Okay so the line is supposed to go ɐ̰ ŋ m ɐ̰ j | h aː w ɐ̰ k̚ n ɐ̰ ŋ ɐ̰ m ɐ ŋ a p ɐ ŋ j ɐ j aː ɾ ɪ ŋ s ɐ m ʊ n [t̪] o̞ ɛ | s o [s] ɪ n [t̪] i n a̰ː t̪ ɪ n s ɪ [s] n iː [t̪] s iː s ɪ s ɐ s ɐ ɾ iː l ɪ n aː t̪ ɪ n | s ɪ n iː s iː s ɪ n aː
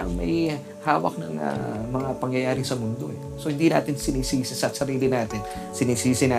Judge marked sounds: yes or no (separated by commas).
no, no, no, no, no